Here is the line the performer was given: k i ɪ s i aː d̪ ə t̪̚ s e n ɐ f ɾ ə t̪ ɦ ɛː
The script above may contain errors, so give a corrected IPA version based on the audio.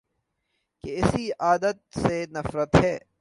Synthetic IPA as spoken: k e ɪ s i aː d̪ ə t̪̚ s e n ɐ f ɾ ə t̪ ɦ ɛː

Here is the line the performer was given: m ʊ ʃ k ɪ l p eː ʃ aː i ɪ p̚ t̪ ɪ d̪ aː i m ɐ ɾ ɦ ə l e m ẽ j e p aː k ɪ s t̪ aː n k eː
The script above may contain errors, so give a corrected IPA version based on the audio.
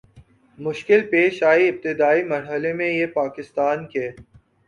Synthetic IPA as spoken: m ʊ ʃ k ɪ l p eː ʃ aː i ɪ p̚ t̪ ɪ d̪ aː i m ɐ ɾ ɦ ə l e m ẽ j e p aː k ɪ s t̪ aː n k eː

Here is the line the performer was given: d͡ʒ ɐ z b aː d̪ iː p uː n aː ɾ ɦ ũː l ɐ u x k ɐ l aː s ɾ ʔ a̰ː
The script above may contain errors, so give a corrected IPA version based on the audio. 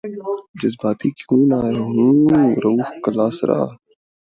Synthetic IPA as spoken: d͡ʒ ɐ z b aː t̪ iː k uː n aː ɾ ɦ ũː ɾ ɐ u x k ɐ l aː s ɾ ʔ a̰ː

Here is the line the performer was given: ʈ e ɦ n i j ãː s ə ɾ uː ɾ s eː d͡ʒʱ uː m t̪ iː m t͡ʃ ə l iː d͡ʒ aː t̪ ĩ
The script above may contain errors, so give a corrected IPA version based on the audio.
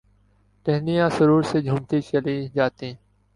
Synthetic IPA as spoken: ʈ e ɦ n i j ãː s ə ɾ uː ɾ s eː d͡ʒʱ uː m t̪ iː t͡ʃ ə l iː d͡ʒ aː t̪ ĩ

